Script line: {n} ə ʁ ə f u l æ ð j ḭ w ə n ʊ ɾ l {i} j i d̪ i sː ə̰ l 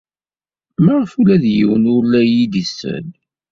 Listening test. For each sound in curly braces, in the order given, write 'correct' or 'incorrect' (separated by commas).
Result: incorrect, incorrect